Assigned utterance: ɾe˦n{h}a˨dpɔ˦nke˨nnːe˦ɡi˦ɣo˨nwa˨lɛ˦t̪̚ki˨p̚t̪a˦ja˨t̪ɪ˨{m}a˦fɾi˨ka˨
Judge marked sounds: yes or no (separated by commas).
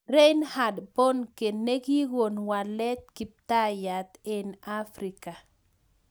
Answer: yes, no